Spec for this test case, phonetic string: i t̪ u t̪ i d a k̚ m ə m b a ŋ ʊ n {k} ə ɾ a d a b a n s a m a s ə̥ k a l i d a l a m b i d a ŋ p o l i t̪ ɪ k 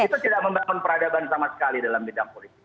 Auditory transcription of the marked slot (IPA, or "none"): p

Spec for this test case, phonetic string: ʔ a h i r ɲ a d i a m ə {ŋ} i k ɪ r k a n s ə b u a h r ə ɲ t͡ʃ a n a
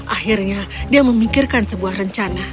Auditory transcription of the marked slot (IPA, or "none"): m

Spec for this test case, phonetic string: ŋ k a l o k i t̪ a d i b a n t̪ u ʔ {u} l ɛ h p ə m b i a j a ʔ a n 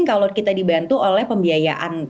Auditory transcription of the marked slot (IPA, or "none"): o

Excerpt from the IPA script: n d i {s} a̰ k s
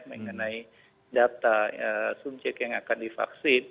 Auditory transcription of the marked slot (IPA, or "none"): f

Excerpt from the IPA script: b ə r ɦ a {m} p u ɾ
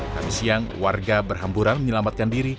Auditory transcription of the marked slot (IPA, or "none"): m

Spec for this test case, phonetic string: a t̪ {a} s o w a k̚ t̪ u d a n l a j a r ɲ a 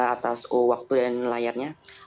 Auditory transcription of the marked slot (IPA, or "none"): a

